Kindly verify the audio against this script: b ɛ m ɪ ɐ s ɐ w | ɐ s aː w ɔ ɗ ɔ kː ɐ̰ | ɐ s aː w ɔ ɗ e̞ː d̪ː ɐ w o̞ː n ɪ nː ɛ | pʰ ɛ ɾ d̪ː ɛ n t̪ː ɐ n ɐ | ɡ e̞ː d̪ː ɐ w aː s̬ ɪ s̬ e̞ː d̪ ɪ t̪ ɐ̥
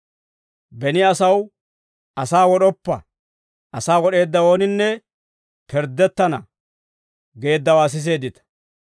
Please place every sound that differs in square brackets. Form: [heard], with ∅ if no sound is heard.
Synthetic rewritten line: b ɛ [n] ɪ ɐ s ɐ w | ɐ s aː w ɔ ɗ ɔ [pː] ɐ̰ | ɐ s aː w ɔ ɗ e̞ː d̪ː ɐ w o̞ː n ɪ nː ɛ | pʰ ɛ ɾ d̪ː ɛ [∅] t̪ː ɐ n ɐ | ɡ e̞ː d̪ː ɐ w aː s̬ ɪ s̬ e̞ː d̪ ɪ t̪ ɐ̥